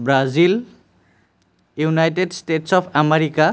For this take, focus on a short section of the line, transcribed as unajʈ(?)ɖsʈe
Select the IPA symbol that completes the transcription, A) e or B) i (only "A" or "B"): A